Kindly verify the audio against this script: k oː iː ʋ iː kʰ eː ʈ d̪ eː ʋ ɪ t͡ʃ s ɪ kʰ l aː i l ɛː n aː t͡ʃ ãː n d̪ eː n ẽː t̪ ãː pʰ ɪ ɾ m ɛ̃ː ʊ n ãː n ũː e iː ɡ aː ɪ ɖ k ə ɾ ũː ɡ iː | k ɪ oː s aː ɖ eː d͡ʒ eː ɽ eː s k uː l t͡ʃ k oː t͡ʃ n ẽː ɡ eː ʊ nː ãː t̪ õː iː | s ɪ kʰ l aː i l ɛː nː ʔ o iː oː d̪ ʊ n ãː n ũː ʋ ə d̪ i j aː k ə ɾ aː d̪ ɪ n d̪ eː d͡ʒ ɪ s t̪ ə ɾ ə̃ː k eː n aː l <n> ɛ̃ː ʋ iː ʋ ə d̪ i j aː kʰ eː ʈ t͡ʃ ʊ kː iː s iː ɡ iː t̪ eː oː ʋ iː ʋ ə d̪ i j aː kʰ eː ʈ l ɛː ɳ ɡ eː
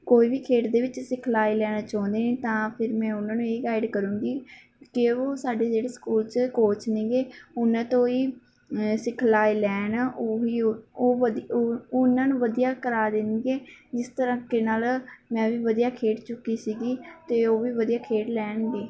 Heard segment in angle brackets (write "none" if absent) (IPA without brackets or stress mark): m